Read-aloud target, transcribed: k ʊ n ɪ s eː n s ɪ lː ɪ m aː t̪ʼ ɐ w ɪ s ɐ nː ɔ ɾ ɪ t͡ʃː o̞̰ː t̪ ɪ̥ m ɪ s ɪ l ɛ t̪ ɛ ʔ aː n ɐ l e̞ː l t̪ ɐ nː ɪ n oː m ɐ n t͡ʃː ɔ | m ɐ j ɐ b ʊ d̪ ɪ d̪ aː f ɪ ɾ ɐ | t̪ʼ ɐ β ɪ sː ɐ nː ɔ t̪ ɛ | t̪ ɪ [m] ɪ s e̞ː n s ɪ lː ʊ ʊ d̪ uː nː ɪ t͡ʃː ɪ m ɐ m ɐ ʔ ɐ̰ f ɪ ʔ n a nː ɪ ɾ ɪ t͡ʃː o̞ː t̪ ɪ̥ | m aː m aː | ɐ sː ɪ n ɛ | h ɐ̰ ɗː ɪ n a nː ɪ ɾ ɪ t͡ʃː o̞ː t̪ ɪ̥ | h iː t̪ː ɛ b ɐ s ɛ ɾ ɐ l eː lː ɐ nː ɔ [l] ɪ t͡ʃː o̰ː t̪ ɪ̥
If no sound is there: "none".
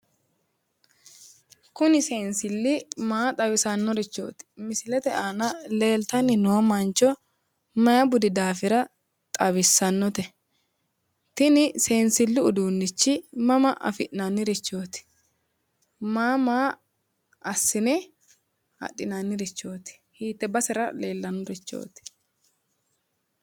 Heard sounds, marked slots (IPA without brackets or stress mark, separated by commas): n, ɾ